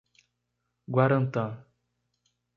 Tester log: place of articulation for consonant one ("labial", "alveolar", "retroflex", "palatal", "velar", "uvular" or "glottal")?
velar